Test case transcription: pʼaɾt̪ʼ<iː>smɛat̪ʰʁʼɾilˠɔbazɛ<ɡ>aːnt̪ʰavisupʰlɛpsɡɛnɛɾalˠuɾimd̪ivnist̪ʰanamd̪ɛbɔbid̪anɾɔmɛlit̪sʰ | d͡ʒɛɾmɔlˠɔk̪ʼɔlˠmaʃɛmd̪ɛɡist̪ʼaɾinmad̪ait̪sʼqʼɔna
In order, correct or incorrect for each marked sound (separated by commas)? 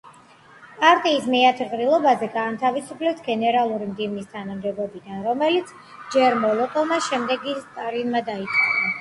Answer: correct, correct